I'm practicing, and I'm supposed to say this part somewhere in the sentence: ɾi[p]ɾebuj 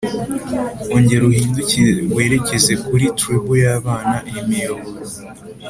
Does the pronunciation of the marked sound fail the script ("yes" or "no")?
yes